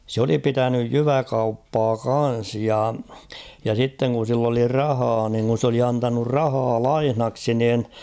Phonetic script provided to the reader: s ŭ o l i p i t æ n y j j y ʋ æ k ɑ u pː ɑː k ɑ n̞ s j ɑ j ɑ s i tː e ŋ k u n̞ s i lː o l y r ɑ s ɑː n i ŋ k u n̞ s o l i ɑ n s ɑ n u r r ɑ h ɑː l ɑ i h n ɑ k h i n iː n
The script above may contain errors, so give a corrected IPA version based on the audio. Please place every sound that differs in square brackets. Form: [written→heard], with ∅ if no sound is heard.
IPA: s ŭ o l i p i t æ n y j j y ʋ æ k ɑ u pː ɑː k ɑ n̞ s j ɑ j ɑ s i tː e ŋ k u n̞ s i lː o l [y→i] r ɑ [s→h] ɑː n i ŋ k u n̞ s o l i ɑ n [s→t] ɑ n u r r ɑ h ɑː l ɑ i h n ɑ k [h→s] i n iː n